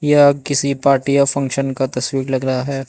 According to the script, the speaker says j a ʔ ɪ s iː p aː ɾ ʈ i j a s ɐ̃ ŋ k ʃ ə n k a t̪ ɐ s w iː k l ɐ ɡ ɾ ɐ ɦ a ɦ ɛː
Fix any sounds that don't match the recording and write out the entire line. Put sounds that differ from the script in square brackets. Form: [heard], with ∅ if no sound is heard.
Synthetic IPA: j a [k] ɪ s [i] p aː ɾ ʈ i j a [f] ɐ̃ ŋ k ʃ ə n k a t̪ ɐ s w iː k l ɐ ɡ ɾ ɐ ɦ a ɦ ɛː